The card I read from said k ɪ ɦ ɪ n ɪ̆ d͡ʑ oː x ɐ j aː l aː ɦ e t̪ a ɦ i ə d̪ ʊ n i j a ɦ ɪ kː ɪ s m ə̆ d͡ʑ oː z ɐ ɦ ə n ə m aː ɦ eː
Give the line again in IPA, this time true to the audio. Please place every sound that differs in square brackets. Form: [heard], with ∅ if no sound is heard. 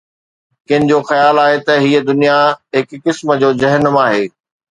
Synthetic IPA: k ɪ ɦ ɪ n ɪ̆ d͡ʑ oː x ɐ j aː l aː ɦ e t̪ [ɐ] ɦ i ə d̪ ʊ n i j a ɦ ɪ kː ɪ s m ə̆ d͡ʑ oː z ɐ ɦ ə n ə m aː ɦ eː